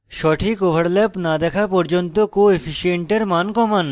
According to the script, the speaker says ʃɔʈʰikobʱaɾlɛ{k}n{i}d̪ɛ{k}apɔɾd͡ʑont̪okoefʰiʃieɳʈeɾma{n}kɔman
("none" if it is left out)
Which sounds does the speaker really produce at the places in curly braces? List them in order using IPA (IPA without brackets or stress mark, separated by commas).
p, a, kʰ, n